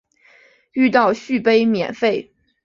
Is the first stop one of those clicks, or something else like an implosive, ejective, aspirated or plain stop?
plain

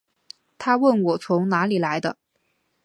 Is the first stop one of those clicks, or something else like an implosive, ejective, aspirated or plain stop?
aspirated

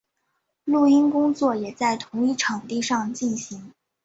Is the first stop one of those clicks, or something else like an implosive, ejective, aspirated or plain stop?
plain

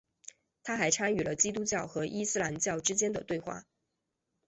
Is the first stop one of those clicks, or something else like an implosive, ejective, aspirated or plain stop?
aspirated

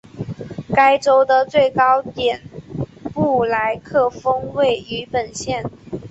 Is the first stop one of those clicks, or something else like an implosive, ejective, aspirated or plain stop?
plain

